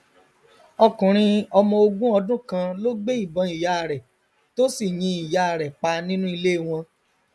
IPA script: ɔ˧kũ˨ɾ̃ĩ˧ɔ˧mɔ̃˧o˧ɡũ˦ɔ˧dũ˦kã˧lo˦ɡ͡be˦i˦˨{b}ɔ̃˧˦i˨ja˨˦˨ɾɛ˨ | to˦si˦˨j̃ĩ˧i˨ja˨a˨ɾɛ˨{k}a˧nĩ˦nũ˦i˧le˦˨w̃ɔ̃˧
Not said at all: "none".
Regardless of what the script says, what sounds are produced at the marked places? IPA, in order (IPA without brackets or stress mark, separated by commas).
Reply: b, k͡p